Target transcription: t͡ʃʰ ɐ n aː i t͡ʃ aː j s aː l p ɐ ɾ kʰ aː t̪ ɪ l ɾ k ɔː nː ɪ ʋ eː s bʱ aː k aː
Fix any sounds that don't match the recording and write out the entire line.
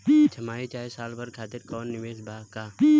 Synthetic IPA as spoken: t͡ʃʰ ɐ m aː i t͡ʃ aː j s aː l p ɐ ɾ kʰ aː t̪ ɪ ɾ k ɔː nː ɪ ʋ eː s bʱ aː k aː